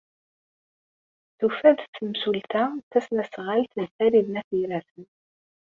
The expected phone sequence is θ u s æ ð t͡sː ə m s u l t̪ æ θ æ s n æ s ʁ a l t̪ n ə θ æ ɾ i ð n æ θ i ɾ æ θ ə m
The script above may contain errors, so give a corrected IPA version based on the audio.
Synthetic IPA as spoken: θ u f æ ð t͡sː ə m s u l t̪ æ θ æ s n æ s ʁ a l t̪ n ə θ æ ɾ i ð n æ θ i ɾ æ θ ə n